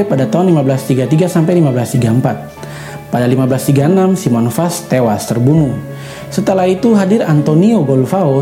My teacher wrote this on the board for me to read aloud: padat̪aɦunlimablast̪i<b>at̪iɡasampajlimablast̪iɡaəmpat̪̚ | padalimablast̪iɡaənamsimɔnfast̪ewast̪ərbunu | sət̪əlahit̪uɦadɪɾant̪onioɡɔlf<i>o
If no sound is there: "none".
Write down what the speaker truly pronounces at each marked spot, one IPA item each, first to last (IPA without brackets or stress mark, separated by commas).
ɡ, a